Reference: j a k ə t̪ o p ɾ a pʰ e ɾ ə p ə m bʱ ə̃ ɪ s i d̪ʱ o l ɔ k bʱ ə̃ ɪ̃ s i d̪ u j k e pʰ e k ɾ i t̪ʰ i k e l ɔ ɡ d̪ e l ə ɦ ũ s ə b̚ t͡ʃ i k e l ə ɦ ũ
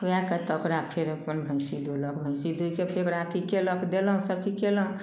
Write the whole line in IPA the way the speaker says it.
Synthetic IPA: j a k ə t̪ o k ɾ a pʰ e ɾ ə p ə n bʱ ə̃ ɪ s i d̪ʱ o l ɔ k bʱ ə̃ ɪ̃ s i d̪ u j k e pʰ e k ɾ a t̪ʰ i k e l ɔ k d̪ e l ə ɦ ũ s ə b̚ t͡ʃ i k e l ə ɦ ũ